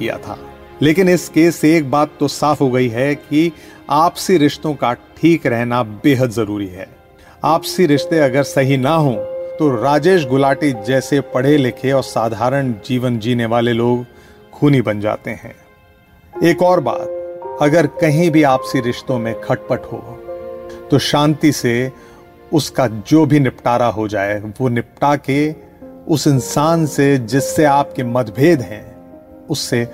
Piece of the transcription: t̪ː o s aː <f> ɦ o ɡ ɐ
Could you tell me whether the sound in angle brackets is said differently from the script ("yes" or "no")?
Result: no